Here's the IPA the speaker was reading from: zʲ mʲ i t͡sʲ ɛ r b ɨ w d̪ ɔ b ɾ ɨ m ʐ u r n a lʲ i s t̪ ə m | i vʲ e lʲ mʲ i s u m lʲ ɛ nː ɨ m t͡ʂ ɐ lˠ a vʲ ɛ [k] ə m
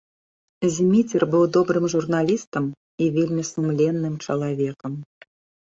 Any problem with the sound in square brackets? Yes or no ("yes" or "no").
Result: no